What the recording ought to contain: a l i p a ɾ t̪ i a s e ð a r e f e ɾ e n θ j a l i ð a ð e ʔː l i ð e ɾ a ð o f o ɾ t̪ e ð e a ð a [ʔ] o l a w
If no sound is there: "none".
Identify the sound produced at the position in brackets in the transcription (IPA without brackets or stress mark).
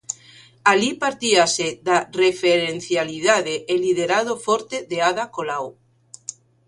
k